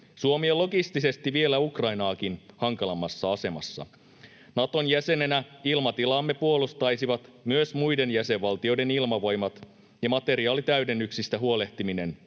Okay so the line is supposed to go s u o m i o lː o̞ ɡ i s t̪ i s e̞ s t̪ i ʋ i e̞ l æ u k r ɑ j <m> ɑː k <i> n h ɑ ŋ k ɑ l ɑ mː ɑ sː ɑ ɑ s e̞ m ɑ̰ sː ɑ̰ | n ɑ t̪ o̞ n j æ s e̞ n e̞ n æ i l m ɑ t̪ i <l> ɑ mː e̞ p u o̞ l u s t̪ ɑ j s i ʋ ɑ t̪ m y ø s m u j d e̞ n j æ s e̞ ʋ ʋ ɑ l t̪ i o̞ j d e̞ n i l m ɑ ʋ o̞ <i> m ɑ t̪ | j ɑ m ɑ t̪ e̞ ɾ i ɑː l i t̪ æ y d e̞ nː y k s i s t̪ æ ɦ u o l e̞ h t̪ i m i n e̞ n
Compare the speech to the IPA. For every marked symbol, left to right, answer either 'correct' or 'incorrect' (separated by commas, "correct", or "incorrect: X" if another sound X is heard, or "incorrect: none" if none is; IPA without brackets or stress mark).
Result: incorrect: n, correct, correct, incorrect: j